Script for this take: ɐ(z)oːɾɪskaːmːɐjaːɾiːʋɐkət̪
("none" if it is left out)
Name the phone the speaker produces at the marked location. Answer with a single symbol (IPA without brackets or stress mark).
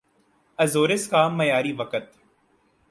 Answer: z